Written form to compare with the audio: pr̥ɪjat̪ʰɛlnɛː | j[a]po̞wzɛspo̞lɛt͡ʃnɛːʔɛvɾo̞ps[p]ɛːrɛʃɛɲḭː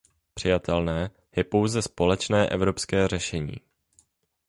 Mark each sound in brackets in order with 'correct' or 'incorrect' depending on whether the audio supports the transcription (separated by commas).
incorrect, incorrect